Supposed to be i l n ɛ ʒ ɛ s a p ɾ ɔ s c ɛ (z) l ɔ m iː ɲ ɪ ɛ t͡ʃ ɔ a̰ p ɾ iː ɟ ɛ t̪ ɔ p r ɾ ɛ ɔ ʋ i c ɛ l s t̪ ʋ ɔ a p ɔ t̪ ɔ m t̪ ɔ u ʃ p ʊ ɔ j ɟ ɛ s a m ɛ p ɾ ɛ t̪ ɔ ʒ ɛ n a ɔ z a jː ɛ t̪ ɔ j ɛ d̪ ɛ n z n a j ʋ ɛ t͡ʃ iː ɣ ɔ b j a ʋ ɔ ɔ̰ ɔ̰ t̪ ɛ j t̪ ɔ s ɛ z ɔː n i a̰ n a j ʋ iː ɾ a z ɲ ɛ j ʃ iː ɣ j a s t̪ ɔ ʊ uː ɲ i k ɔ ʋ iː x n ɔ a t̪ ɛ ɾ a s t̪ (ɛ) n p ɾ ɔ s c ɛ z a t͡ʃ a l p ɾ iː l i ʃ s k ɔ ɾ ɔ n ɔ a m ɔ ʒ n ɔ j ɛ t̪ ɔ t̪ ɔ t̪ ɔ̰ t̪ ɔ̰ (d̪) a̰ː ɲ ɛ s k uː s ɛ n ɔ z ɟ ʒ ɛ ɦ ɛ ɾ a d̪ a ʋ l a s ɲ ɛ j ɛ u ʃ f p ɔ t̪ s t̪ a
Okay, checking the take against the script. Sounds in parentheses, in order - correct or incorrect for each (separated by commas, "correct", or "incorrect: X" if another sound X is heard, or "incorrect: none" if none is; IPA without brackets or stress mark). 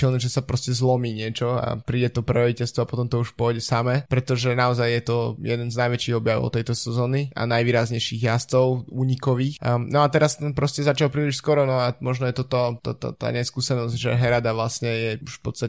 correct, correct, incorrect: t̪